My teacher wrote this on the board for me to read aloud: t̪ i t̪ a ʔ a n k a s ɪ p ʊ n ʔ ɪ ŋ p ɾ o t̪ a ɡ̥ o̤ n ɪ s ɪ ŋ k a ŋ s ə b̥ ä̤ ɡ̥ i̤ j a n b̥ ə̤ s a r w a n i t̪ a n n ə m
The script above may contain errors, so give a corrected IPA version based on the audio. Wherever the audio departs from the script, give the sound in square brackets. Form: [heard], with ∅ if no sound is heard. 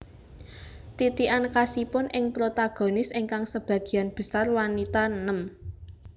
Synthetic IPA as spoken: t̪ i t̪ [i] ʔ a n k a s [i] p ʊ n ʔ ɪ ŋ p ɾ o t̪ a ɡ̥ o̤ n ɪ s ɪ ŋ k a ŋ s ə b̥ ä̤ ɡ̥ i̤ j a n b̥ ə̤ s a r w a n i t̪ a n n ə m